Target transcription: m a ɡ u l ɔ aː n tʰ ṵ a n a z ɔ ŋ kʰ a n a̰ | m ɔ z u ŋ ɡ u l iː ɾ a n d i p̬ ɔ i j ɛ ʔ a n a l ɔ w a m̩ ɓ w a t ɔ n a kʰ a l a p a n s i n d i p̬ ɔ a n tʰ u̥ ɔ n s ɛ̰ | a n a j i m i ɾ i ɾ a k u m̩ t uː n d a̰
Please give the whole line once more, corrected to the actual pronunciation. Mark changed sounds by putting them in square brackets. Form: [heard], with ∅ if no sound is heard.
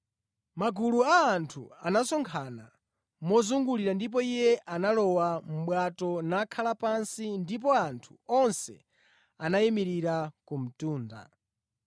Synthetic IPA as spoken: m a ɡ u l [u] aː n tʰ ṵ a n a [s] ɔ ŋ kʰ a n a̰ | m ɔ z u ŋ ɡ u l [i] ɾ a n d i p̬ ɔ i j ɛ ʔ a n a l ɔ w a m̩ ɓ w a t ɔ n a kʰ a l a p a n s i n d i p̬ ɔ a n tʰ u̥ ɔ n s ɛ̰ | a n a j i m i ɾ i ɾ a k u m̩ t uː n d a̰